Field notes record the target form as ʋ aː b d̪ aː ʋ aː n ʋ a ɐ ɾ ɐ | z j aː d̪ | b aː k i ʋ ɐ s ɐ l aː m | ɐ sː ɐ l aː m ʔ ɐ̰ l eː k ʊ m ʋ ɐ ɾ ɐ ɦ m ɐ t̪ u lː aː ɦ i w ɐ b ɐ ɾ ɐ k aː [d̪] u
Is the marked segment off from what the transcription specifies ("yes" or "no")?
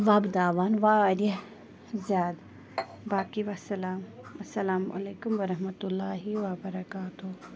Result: yes